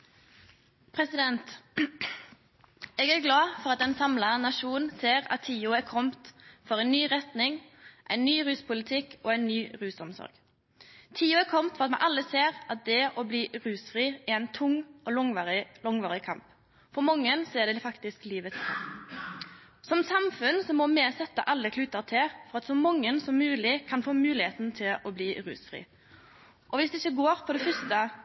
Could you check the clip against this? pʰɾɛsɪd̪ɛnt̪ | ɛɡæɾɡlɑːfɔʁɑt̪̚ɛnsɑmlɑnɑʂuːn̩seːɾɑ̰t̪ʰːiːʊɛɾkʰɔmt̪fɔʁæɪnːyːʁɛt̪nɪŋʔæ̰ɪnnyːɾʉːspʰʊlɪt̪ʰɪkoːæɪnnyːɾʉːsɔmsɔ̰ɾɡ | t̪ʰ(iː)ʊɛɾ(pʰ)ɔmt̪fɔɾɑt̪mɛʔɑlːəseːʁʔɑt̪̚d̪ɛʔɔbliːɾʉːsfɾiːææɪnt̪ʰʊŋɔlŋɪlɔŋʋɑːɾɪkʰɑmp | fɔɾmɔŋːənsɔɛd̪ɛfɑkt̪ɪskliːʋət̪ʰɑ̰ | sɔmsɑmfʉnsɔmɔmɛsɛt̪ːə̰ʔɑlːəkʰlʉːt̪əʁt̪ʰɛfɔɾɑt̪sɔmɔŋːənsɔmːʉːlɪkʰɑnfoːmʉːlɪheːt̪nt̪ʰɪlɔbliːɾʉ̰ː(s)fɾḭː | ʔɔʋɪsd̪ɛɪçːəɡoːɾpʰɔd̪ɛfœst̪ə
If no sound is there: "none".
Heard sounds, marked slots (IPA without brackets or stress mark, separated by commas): iː, kʰ, s